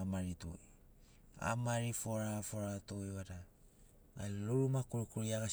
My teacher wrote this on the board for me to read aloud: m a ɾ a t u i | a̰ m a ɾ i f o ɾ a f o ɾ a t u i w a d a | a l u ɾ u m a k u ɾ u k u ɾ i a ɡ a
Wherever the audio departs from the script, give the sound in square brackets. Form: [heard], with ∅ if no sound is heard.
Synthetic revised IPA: m a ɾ [i] t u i | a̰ m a ɾ i f o ɾ a f o ɾ a t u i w a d a | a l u ɾ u m a k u ɾ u k u ɾ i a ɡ a